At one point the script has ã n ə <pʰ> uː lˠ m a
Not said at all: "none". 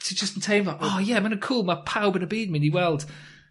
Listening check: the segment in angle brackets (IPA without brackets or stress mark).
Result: kʰ